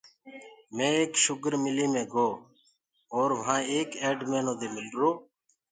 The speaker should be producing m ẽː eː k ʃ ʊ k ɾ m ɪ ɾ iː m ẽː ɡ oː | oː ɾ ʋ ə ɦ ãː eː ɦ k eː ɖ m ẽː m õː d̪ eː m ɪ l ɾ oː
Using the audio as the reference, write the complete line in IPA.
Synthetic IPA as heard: m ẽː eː k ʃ ʊ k ɾ m ɪ l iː m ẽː ɡ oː | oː ɾ ʋ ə ɦ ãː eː k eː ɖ m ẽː n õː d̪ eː m ɪ l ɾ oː